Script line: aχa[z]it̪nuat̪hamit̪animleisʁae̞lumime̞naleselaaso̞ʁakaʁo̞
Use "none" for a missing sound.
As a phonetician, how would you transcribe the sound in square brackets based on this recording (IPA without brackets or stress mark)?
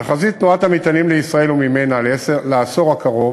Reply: z